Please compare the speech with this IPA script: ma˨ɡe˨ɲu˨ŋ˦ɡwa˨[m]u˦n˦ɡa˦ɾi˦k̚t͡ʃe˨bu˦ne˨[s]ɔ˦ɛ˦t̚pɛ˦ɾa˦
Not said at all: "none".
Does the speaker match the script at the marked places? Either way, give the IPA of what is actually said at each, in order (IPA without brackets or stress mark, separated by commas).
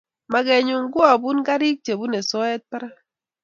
b, s